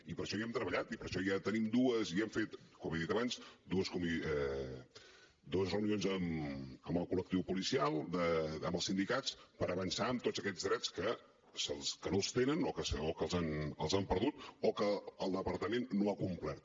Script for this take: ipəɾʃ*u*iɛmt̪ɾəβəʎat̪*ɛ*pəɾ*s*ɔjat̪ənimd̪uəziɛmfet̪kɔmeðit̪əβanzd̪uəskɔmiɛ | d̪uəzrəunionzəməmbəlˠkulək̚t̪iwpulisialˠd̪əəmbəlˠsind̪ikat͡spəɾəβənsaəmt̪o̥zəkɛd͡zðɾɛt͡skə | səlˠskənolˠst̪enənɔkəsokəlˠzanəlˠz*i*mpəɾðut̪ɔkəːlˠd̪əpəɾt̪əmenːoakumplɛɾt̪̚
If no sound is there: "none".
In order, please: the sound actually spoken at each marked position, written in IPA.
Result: ɔ, i, ʃ, a

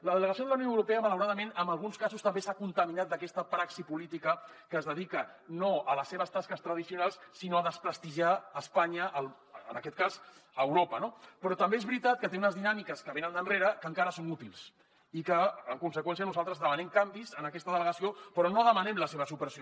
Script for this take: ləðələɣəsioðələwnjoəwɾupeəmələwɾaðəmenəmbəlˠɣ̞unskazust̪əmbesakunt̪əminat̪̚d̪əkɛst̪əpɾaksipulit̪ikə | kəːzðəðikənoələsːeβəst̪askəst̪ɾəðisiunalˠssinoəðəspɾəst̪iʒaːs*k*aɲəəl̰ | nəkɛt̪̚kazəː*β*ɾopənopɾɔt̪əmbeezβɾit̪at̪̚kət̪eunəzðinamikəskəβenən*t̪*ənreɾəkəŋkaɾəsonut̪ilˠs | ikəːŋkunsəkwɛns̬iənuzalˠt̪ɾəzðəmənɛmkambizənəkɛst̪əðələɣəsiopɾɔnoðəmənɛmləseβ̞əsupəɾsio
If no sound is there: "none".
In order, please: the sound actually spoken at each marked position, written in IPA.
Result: p, w, d̪

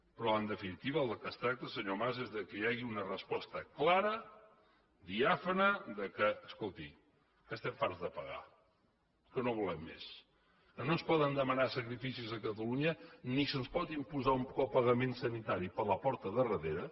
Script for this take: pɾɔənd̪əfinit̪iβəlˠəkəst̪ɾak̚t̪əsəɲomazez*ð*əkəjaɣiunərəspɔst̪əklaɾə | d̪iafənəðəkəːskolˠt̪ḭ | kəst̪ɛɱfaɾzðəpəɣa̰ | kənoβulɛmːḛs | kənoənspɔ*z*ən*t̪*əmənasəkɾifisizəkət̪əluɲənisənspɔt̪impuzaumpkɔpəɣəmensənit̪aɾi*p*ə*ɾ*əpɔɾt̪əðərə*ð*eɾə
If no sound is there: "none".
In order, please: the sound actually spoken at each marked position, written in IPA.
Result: ð, ð, d̪, p, l, ð

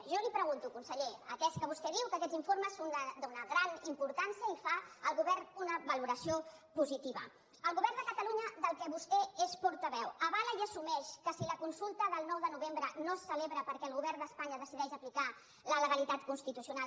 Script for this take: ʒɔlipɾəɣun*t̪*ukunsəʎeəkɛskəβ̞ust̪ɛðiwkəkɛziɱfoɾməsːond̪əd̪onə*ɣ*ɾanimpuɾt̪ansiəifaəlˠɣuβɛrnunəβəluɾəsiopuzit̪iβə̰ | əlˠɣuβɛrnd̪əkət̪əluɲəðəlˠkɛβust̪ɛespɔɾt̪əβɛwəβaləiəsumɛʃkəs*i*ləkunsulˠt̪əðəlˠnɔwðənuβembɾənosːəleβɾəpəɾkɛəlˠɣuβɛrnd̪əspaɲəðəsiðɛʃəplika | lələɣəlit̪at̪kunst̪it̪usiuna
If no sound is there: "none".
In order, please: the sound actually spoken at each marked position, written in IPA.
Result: t̪, ɣ, i

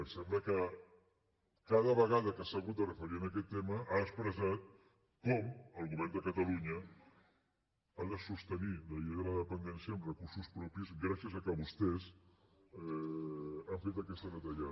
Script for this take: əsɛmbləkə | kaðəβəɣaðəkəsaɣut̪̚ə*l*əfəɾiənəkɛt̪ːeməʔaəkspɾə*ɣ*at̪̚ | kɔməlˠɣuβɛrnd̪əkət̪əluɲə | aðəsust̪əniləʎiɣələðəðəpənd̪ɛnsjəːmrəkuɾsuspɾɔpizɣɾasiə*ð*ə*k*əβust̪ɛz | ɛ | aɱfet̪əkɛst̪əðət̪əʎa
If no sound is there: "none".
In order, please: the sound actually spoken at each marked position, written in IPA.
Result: r, z, z, k

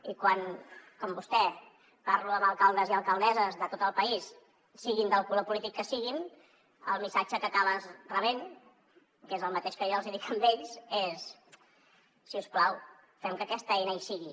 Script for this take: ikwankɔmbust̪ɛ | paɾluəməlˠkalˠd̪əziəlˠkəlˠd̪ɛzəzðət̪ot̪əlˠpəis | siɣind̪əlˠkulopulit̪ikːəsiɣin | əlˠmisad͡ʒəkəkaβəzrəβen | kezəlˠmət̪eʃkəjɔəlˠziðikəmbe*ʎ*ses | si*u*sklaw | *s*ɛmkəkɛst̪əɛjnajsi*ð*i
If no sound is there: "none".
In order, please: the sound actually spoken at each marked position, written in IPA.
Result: ʎ, u, f, ɣ

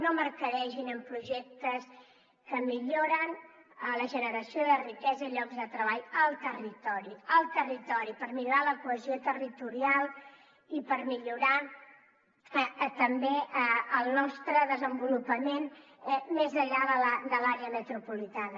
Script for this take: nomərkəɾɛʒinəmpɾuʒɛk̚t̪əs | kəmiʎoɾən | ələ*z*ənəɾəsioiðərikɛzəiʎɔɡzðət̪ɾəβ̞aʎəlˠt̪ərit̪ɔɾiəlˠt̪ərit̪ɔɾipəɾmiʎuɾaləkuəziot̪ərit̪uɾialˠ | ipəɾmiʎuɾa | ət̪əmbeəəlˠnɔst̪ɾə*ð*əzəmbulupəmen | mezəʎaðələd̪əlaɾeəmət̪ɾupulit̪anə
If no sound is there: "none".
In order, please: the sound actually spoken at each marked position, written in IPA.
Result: ʒ, ð

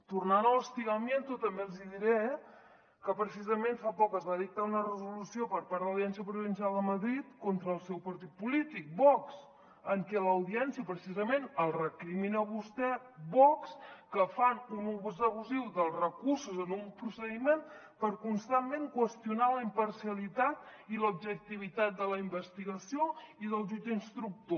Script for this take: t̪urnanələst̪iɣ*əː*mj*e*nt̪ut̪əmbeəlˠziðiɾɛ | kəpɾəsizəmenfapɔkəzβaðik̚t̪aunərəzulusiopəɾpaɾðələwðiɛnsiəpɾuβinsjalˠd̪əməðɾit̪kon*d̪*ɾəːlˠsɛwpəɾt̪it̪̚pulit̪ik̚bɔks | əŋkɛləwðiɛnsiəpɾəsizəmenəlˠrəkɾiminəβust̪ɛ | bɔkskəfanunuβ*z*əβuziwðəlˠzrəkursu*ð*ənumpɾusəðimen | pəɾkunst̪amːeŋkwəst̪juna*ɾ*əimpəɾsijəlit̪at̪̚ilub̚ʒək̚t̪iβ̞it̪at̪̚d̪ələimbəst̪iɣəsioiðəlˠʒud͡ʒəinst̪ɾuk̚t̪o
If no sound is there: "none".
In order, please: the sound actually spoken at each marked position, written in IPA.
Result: ə, e, t̪, z, z, l

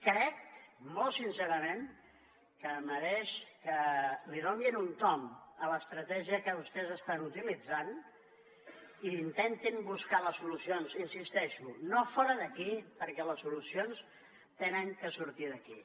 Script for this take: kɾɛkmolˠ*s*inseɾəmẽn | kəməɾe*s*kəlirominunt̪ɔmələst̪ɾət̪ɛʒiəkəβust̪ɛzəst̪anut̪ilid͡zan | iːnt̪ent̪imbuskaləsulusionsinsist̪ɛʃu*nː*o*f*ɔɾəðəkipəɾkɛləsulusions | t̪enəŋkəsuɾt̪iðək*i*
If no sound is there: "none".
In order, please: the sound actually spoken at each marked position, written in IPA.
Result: s, ʃ, n, f, i

